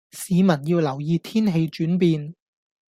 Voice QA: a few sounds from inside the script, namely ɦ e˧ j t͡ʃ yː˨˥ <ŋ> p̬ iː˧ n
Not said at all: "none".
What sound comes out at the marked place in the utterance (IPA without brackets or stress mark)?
n